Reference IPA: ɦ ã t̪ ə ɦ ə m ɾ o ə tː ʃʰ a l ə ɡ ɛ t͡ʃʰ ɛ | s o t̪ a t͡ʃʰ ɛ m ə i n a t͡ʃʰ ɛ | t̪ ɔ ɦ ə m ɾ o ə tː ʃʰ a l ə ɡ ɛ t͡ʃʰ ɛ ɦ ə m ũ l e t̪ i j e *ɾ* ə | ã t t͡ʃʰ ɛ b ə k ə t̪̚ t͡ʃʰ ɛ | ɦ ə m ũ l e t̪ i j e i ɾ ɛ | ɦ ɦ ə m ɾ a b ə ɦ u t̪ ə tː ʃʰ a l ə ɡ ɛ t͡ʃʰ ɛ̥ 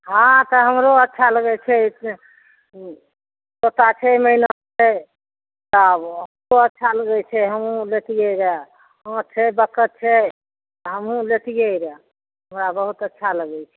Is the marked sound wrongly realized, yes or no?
no